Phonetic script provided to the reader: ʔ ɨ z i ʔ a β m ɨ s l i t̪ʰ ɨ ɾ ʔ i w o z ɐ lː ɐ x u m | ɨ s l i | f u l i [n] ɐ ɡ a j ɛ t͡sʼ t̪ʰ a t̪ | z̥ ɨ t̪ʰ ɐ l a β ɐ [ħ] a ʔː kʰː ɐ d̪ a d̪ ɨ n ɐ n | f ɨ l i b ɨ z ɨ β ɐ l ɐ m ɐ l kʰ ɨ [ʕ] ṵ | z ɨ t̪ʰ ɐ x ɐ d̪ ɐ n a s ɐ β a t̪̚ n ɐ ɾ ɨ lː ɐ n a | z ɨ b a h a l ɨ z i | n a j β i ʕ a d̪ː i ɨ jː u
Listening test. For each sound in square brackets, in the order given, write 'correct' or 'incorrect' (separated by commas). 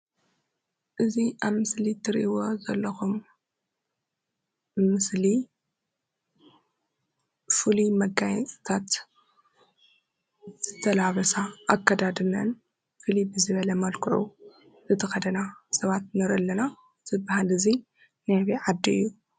incorrect, incorrect, correct